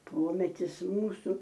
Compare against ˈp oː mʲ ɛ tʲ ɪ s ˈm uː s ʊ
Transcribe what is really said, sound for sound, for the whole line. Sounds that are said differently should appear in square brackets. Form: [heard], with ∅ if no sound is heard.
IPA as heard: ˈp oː mʲ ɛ tʲ ɪ s ˈm uː s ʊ